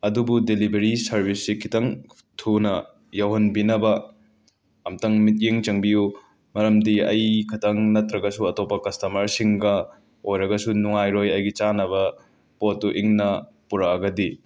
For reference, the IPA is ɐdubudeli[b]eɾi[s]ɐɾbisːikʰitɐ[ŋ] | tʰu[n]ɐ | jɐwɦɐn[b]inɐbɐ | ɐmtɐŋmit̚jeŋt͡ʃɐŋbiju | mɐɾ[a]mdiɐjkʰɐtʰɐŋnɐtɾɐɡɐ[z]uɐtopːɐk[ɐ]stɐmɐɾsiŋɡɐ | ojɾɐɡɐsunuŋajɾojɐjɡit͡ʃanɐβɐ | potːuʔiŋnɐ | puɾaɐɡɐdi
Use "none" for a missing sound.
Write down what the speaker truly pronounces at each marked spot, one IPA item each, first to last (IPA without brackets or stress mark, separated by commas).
b, s, ŋ, n, b, ɐ, s, ɐ